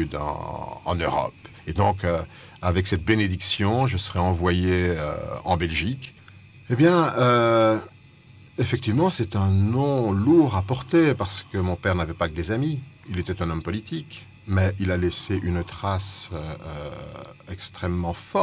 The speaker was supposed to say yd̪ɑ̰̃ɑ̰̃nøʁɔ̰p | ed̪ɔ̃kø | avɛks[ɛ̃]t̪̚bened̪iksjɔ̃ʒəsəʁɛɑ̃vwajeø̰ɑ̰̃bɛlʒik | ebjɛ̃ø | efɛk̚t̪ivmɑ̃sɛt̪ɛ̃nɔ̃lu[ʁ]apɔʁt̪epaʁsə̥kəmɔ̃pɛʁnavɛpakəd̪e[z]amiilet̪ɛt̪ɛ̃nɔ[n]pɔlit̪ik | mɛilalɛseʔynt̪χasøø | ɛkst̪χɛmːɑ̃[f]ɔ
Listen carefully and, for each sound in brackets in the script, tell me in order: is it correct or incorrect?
incorrect: ɛ, correct, correct, incorrect: m, correct

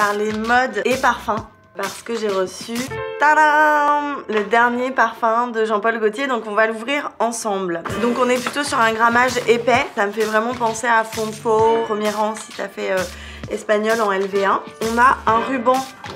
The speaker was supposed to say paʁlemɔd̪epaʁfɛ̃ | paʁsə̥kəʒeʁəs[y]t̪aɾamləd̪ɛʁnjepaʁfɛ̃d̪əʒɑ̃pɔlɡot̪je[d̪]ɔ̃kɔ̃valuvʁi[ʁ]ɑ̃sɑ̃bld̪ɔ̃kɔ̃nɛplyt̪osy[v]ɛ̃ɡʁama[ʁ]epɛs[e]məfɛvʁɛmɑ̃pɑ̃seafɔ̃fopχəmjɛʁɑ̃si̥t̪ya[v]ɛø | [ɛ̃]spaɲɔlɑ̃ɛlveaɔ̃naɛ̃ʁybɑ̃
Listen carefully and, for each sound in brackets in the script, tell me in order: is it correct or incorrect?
correct, correct, correct, incorrect: ʁ, incorrect: ʒ, incorrect: a, incorrect: f, incorrect: ɛ

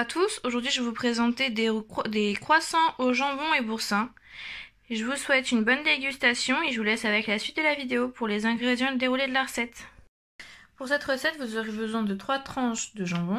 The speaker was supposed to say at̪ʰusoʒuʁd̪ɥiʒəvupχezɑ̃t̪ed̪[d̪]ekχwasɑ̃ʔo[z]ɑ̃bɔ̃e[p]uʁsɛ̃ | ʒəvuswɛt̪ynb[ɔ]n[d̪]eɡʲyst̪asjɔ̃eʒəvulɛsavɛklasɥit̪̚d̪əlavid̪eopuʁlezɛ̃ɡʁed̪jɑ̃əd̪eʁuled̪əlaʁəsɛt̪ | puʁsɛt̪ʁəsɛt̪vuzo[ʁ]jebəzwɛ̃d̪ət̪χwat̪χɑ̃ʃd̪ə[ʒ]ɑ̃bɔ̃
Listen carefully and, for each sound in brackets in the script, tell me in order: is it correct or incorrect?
correct, incorrect: ʒ, incorrect: b, correct, correct, correct, correct

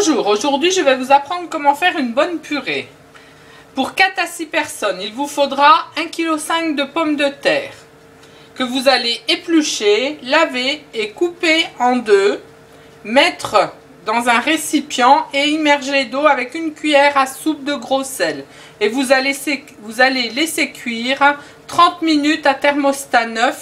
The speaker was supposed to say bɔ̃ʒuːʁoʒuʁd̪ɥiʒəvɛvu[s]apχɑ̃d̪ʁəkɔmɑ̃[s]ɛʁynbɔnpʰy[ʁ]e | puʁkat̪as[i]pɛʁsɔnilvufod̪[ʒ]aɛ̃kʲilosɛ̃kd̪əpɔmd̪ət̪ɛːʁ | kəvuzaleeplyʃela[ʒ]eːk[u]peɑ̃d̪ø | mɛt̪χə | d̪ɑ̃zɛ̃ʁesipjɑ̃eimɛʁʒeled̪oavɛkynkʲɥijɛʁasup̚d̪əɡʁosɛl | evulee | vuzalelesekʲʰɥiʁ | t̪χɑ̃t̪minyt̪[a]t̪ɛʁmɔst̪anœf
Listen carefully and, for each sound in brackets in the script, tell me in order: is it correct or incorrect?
incorrect: z, incorrect: f, correct, correct, incorrect: ʁ, incorrect: v, correct, correct

